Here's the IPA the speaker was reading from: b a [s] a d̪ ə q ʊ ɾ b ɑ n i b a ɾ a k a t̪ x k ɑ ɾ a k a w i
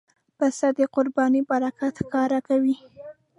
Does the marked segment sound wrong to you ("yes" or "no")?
no